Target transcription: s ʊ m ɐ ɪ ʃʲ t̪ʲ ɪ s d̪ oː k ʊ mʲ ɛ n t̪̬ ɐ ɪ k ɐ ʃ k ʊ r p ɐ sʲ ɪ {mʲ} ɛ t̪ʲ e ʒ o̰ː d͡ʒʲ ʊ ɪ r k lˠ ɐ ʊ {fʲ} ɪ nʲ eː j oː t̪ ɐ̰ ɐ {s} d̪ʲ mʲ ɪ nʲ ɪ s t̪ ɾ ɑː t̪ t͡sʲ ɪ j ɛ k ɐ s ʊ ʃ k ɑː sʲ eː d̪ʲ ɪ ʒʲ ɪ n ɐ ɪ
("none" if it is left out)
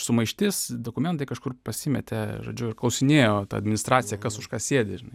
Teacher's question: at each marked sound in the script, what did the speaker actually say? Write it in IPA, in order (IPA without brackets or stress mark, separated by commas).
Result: mʲ, sʲ, none